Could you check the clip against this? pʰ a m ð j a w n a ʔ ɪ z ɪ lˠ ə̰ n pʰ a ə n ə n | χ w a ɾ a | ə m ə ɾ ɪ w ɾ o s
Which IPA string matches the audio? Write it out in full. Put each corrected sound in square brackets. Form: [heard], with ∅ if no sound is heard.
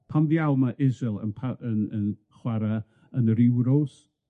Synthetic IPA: pʰ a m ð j a w [m] a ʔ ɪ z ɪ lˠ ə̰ n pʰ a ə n ə n | χ w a ɾ a | ə [n] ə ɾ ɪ w ɾ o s